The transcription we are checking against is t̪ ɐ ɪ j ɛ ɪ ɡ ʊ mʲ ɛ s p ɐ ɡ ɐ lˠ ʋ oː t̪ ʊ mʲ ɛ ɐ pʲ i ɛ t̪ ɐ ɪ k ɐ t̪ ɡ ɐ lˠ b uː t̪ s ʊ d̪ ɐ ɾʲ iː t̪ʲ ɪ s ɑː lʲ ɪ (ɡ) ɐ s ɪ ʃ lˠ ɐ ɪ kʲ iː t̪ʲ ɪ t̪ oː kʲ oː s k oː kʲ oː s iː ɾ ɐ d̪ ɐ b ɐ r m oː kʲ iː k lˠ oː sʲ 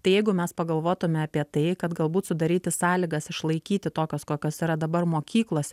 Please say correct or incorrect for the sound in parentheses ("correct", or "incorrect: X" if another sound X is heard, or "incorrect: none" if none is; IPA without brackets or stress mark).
correct